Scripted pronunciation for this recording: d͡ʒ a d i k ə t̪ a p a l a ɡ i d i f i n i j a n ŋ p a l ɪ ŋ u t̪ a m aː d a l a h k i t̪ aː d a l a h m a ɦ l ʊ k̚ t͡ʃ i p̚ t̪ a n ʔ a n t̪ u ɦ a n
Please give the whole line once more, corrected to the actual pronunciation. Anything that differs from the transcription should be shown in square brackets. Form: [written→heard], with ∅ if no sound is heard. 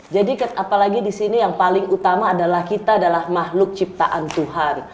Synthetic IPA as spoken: d͡ʒ a d i k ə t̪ a p a l a ɡ i d i [f→s] i n i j a [n→∅] ŋ p a l ɪ ŋ u t̪ a m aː d a l a h k i t̪ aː d a l a h m a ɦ l ʊ k̚ t͡ʃ i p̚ t̪ a [n→∅] ʔ a n t̪ u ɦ a n